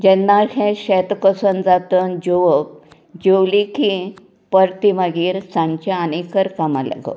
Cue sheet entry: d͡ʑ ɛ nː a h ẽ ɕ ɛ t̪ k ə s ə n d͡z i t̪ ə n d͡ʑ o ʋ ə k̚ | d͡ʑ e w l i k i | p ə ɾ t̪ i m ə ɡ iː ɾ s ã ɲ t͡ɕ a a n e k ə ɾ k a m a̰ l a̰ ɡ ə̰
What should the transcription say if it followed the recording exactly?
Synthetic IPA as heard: d͡ʑ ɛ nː a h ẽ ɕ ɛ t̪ k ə s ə n d͡z a t̪ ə n d͡ʑ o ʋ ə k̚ | d͡ʑ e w l i k i | p ə ɾ t̪ i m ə ɡ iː ɾ s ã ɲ t͡ɕ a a n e k ə ɾ k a m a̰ l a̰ ɡ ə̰